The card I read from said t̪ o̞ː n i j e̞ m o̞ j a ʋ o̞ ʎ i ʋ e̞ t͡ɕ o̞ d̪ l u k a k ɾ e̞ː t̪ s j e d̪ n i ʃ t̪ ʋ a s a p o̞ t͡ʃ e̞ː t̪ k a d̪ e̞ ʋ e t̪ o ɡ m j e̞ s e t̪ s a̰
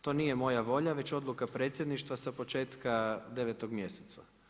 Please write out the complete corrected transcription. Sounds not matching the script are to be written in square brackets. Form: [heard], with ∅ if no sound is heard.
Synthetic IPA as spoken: t̪ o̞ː n i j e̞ m o̞ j a ʋ o̞ ʎ [a] ʋ e̞ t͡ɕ o̞ d̪ l u k a [p] ɾ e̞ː t̪ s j e d̪ n i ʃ t̪ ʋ a s a p o̞ t͡ʃ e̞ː t̪ k a d̪ e̞ ʋ e t̪ o ɡ m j e̞ s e t̪ s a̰